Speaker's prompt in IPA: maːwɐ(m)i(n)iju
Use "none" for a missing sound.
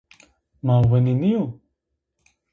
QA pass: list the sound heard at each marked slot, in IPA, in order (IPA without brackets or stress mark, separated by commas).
n, n